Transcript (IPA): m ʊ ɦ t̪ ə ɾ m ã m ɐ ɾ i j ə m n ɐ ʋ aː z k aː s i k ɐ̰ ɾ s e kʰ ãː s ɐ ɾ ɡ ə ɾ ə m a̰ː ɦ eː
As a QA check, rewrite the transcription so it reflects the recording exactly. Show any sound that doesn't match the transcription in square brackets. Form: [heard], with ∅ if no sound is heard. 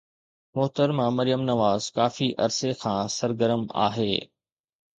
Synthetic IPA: m ʊ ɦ t̪ ə ɾ m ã m ɐ ɾ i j ə m n ɐ ʋ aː z k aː [f] i [ʔ] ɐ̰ ɾ s e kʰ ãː s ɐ ɾ ɡ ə ɾ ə m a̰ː ɦ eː